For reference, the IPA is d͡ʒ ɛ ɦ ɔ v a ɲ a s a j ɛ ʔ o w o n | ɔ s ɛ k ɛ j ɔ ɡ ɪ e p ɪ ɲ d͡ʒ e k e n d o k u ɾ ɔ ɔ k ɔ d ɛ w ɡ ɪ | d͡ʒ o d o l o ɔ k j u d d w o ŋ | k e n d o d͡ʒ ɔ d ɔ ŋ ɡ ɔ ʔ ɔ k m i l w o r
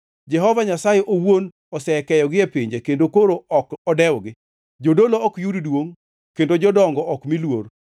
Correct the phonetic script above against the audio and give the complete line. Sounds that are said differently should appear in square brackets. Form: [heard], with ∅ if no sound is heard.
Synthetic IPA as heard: d͡ʒ ɛ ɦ ɔ v a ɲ a s a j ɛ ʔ o w o n | ɔ s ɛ k ɛ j ɔ ɡ ɪ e p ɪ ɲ d͡ʒ e k e n d o k [o] ɾ [o] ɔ k ɔ d ɛ w ɡ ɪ | d͡ʒ o d o l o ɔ k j u d d w o ŋ | k e n d o d͡ʒ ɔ d ɔ ŋ ɡ ɔ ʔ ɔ k m i l w o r

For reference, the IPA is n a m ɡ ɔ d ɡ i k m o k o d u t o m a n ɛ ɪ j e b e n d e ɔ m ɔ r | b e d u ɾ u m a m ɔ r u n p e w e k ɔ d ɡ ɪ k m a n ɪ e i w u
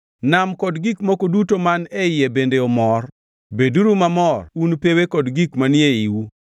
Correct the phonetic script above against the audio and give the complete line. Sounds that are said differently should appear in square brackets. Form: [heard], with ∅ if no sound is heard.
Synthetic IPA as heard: n a m [k] ɔ d ɡ i k m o k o d u t o m a n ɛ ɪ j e b e n d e ɔ m ɔ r | b e d u ɾ u m a m ɔ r u n p e w e k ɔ d ɡ [i] k m a n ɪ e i w u

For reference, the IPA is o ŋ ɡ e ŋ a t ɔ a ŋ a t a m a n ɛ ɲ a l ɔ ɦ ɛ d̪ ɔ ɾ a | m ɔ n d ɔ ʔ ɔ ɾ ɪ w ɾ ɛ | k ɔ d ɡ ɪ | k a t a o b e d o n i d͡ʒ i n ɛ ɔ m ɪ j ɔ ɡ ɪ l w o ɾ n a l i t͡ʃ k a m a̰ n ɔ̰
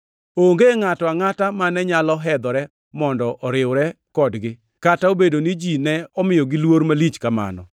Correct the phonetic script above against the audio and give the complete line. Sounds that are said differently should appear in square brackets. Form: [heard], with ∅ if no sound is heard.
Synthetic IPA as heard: o ŋ ɡ e ŋ a t ɔ a ŋ a t a m a n ɛ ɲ a l ɔ ɦ ɛ d̪ ɔ ɾ [ɛ] | m ɔ n d ɔ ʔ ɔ ɾ ɪ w ɾ ɛ | k ɔ d ɡ ɪ | k a t a o b e d o n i d͡ʒ i n ɛ ɔ m ɪ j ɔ ɡ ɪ l w o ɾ [m] a l i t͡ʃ k a m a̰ n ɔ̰

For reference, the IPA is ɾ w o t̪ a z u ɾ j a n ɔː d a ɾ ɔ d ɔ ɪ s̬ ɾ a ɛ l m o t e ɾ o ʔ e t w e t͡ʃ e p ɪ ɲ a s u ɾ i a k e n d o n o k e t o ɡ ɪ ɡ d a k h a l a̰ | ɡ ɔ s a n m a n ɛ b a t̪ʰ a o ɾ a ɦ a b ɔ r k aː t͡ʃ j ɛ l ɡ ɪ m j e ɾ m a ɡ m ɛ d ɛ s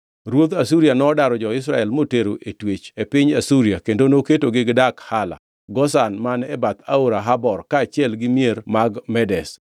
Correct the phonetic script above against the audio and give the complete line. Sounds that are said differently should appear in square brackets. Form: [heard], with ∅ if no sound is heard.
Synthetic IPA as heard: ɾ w o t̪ a [s] u ɾ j a n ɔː d a ɾ ɔ [d͡ʒ] ɔ ɪ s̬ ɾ a ɛ l m o t e ɾ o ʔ e t w e t͡ʃ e p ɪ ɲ a s u ɾ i a k e n d o n o k e t o ɡ ɪ ɡ d a k h a l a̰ | ɡ ɔ s a n m a n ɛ b a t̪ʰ a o ɾ a ɦ a b ɔ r k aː t͡ʃ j ɛ l ɡ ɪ m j e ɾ m a ɡ m ɛ d ɛ s

